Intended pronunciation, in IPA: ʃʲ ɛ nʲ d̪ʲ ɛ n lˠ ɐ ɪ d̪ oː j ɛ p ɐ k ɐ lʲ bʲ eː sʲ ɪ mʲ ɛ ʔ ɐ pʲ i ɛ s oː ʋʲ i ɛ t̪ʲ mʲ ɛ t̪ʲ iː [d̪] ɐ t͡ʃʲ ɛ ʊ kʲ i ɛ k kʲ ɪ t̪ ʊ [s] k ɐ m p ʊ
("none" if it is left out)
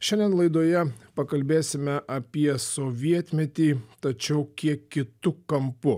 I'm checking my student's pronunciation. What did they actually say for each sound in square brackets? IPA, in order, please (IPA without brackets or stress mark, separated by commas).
t̪, none